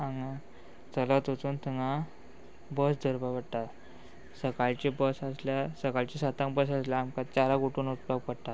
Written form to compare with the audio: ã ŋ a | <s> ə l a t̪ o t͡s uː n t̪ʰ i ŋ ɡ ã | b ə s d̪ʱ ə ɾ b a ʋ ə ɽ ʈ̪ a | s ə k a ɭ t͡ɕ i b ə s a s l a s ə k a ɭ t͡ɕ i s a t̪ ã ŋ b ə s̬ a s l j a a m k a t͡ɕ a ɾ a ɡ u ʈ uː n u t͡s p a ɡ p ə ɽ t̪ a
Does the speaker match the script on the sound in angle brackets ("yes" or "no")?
no